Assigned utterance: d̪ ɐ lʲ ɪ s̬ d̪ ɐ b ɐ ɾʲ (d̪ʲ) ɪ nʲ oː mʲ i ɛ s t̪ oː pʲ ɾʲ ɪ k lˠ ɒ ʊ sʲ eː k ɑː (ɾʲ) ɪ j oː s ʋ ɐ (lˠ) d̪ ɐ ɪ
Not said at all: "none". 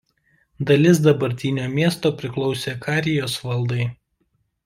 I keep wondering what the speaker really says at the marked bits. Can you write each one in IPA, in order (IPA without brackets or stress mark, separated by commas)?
t̪ʲ, ɾʲ, lˠ